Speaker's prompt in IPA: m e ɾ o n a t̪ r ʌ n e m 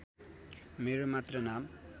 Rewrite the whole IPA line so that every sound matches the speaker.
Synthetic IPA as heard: m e ɾ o m a t̪ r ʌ n a m